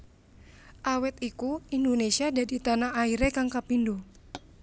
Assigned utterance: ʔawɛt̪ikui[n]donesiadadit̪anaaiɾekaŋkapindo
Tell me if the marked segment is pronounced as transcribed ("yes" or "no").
yes